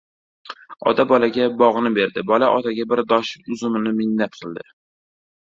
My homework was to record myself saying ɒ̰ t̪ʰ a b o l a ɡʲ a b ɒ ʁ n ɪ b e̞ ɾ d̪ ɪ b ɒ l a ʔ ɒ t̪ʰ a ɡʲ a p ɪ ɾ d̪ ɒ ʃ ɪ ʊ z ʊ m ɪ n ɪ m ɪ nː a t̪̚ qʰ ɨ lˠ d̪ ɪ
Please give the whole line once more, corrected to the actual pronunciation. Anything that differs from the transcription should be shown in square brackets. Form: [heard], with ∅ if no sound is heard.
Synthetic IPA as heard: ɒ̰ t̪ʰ a b [ɒ] l a ɡʲ a b ɒ ʁ n ɪ b e̞ ɾ d̪ ɪ b ɒ l a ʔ ɒ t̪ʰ a ɡʲ a [b] ɪ ɾ d̪ ɒ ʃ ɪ ʊ z ʊ m ɪ n ɪ m ɪ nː a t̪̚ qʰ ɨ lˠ d̪ ɪ